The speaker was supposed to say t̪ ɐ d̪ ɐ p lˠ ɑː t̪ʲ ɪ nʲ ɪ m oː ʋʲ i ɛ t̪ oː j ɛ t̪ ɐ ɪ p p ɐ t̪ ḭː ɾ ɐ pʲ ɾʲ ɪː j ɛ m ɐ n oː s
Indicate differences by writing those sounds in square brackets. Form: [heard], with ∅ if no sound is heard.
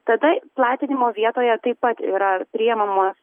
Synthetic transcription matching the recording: t̪ ɐ d̪ ɐ p lˠ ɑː t̪ʲ ɪ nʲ ɪ m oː ʋʲ i ɛ t̪ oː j ɛ t̪ ɐ ɪ p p ɐ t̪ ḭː ɾ ɐ pʲ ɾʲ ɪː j ɛ m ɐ [m] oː s